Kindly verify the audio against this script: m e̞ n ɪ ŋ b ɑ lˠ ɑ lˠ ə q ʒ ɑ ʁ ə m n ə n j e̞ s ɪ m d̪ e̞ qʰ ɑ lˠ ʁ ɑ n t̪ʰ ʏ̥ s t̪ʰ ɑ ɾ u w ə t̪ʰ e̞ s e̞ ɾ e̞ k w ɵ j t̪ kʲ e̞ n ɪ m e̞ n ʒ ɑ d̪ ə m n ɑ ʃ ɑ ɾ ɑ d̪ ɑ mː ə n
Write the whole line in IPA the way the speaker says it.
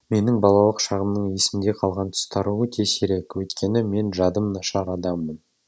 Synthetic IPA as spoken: m e̞ n ɪ ŋ b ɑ lˠ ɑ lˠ ə q ʃ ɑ ʁ ə m n ə ɴ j e̞ s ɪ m d̪ e̞ qʰ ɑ lˠ ʁ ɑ n t̪ʰ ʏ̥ s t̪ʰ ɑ ɾ u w ə t̪ʰ e̞ s e̞ ɾ e̞ k w ɵ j t̪ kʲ e̞ n ɪ m e̞ n ʒ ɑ d̪ ə m n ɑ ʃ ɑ ɾ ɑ d̪ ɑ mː ə n